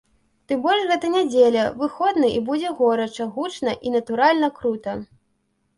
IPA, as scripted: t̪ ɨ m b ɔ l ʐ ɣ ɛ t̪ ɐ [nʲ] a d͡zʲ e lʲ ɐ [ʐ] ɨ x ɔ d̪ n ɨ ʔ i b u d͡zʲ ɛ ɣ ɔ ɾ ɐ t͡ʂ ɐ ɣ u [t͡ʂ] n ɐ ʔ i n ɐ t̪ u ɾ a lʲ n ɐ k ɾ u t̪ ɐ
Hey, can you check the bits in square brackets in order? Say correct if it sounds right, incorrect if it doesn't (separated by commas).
correct, incorrect, correct